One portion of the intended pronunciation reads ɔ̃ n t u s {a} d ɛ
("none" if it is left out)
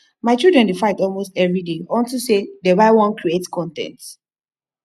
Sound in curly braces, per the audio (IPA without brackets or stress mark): e